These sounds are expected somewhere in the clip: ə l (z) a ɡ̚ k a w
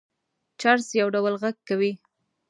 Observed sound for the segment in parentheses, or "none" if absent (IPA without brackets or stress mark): ɣ